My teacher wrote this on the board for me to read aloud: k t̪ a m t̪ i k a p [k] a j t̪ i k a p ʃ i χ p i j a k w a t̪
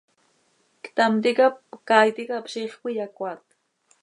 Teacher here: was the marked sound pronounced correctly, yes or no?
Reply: yes